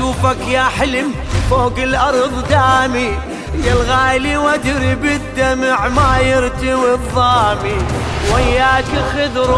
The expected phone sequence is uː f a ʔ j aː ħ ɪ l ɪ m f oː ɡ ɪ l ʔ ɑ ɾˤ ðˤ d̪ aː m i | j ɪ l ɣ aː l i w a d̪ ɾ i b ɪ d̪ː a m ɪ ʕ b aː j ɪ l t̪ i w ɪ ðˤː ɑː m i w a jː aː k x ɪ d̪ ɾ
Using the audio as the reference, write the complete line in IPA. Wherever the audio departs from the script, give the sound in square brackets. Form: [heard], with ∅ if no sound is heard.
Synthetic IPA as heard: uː f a [k] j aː ħ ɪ l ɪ m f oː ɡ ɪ l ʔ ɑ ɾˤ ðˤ d̪ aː m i | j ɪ l ɣ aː l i w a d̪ ɾ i b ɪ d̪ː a m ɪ ʕ [m] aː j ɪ [ɾ] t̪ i w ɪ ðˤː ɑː m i w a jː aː k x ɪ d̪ ɾ